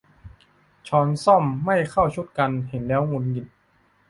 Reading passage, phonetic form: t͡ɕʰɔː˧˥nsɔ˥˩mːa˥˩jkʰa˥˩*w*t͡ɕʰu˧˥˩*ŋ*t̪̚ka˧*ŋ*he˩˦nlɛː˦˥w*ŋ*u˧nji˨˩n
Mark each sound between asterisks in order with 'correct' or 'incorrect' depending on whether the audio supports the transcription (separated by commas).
correct, incorrect, incorrect, correct